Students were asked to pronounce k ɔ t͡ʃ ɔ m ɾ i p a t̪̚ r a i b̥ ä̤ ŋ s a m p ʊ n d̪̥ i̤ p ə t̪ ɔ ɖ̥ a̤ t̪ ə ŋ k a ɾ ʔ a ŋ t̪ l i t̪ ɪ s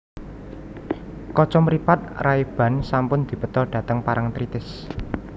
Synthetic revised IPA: k ɔ t͡ʃ ɔ m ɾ i p a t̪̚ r a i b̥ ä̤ n s a m p ʊ n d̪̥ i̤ p ə t̪ ɔ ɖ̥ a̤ t̪ ə ŋ p a ɾ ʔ a ŋ t̪ ɾ i t̪ ɪ s

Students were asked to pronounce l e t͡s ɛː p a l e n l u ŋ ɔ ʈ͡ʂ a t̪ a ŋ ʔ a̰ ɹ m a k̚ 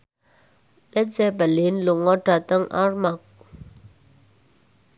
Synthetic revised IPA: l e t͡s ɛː p a l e n l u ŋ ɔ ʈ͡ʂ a t̪ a ŋ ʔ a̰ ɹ m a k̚

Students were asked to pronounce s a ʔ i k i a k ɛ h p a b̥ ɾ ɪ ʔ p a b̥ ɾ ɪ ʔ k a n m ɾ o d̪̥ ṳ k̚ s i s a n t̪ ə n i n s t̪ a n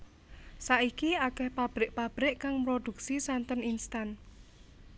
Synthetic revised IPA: s a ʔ i k i a k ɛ h p a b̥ ɾ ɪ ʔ p a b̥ ɾ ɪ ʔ k a ŋ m ɾ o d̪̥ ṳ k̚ s i s a n t̪ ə n i n s t̪ a n

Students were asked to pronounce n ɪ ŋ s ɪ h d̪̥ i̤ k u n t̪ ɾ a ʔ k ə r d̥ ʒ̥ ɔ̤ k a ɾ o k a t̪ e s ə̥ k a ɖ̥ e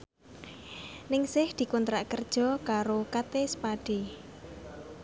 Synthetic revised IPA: n ɪ ŋ s ɪ h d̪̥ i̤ k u n t̪ ɾ a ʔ k ə r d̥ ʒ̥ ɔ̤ k a ɾ o k a t̪ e s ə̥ p a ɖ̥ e

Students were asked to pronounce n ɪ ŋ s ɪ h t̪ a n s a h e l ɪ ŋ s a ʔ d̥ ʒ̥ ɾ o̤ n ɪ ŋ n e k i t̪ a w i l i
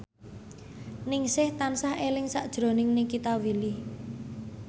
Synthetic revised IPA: n ɪ ŋ s ɪ h t̪ a n s a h e l ɪ ŋ s a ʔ d̥ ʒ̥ ɾ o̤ n ɪ ŋ n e k i t̪ a w i l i

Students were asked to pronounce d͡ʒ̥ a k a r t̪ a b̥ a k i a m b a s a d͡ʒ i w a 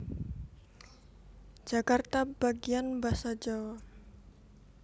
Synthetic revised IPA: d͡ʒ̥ a k a r t̪ a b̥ a ɡ i a n b a s a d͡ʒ a w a

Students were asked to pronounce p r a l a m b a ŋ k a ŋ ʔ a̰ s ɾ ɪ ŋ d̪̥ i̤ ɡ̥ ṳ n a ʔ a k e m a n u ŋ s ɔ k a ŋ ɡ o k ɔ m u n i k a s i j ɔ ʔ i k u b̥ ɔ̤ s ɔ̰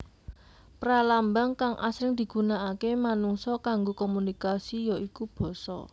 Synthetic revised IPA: p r a l a m b a ŋ k a ŋ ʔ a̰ s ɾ ɪ ŋ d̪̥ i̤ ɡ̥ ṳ n a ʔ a k e m a n u ŋ s ɔ k a ŋ ɡ o k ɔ m u n i k a s i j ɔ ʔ i k u b̥ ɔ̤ s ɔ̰

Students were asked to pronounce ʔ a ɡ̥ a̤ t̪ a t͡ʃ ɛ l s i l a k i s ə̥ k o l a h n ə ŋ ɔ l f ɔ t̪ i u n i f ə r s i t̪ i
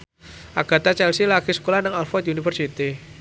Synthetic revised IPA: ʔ a ɡ̥ a̤ t̪ a t͡ʃ ɛ l s i l a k i s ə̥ k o l a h n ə ŋ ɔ l f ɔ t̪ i u n i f ə r s i t̪ i

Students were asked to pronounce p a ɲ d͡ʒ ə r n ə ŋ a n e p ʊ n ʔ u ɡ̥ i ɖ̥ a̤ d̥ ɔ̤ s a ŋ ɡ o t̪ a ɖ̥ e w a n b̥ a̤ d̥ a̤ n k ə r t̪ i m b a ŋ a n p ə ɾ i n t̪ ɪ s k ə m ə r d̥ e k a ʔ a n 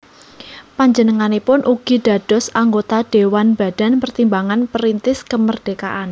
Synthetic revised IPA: p a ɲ d͡ʒ ə n ə ŋ a n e p ʊ n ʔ u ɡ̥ i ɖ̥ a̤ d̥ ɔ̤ s a ŋ ɡ o t̪ a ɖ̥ e w a n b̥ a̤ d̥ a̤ n p ə r t̪ i m b a ŋ a n p ə ɾ i n t̪ ɪ s k ə m ə r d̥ e k a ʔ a n

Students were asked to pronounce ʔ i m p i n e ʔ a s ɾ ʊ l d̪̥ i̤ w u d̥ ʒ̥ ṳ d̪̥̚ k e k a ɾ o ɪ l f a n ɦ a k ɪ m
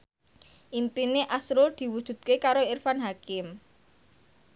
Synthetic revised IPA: ʔ i m p i n e ʔ a s ɾ ʊ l d̪̥ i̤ w u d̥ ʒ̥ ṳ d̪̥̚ k e k a ɾ o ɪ r f a n ɦ a k ɪ m

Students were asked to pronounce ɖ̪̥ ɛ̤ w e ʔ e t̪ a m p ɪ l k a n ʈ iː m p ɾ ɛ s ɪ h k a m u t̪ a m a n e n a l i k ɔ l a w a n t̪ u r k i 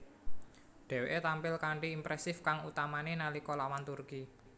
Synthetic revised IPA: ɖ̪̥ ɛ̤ w e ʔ e t̪ a m p ɪ l k a ɳ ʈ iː m p ɾ ɛ s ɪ f k a ŋ u t̪ a m a n e n a l i k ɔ l a w a n t̪ u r k i

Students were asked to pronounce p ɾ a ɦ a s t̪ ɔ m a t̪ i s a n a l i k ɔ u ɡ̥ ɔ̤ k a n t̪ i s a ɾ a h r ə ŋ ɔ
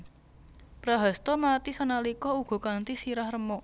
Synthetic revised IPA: p ɾ a ɦ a s t̪ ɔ m a t̪ i s a n a l i k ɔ u ɡ̥ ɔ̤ k a n t̪ i s i ɾ a h r ə m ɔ

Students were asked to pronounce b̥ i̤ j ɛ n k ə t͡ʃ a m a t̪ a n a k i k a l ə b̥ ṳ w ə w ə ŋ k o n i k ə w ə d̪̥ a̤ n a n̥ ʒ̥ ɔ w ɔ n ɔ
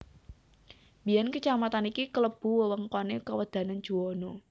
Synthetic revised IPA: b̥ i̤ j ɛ n k ə t͡ʃ a m a t̪ a n i k i k ə l ə b̥ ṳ w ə w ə ŋ k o n e k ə w ə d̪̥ a̤ n a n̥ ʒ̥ u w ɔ n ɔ

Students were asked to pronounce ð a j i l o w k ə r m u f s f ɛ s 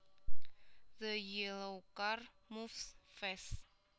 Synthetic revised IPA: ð ə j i l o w k a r m u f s f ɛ s

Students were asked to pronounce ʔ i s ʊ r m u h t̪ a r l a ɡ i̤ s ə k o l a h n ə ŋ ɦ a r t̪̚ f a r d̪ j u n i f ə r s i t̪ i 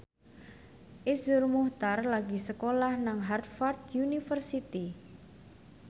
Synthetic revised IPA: ʔ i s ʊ r m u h t̪ a r l a ɡ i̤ s ə k o l a h n a ŋ ɦ a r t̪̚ f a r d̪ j u n i f ə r s i t̪ i

